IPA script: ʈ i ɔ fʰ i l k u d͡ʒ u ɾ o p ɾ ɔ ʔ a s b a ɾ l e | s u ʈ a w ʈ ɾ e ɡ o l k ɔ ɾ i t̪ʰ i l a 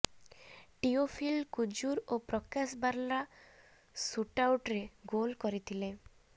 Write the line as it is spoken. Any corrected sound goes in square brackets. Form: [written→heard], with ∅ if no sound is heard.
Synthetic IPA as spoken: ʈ i [ɔ→o] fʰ i l k u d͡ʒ u ɾ o p ɾ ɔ [ʔ→k] a s b a ɾ l [e→a] | s u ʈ a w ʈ ɾ e ɡ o l k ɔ ɾ i t̪ʰ i l [a→e]